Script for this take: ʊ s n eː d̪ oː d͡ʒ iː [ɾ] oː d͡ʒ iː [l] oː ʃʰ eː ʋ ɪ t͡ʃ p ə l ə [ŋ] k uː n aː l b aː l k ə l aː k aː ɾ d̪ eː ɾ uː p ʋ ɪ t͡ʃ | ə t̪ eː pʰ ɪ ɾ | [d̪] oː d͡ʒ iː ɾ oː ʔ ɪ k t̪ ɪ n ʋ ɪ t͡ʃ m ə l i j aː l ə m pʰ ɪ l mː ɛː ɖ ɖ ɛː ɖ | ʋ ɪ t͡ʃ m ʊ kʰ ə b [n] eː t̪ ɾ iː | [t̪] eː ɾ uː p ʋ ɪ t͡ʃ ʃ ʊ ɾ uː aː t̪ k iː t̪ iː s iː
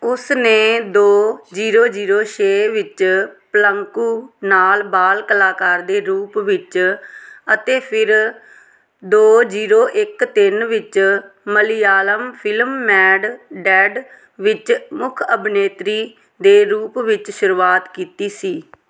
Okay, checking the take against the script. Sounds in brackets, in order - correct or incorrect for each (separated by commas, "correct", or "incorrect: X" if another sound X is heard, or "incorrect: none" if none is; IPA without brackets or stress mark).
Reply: correct, incorrect: ɾ, correct, correct, correct, incorrect: d̪